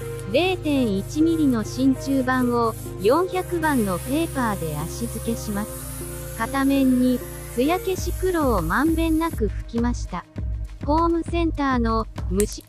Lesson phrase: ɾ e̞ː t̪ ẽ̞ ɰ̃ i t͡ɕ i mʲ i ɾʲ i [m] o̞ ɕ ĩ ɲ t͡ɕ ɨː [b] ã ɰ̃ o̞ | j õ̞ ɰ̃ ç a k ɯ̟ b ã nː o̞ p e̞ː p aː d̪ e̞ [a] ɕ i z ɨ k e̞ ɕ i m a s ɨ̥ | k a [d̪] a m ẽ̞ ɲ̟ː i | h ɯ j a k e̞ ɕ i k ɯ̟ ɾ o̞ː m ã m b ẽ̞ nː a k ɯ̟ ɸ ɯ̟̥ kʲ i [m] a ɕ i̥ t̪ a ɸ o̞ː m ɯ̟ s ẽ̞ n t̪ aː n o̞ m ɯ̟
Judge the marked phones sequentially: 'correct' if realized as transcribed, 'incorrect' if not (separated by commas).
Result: incorrect, correct, correct, incorrect, correct